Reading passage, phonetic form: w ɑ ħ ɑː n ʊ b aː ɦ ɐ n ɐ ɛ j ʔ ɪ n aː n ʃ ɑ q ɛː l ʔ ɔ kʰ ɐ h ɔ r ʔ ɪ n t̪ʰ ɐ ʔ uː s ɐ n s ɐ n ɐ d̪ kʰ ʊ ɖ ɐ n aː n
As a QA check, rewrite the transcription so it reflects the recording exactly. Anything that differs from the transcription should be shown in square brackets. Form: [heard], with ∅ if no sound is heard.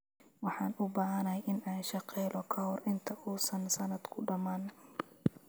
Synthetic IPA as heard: w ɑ ħ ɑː n ʊ b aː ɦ ɐ n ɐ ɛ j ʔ ɪ n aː n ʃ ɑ q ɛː l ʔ ɔ kʰ ɐ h ɔ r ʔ ɪ n t̪ʰ ɐ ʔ uː s ɐ n s ɐ n ɐ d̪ kʰ ʊ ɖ ɐ [m] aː n